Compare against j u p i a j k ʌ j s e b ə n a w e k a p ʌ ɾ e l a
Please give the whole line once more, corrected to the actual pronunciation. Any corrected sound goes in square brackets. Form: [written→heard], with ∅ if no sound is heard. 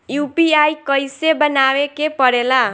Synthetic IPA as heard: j u p i a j k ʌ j s e b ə n a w e k [a→e] p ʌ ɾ e l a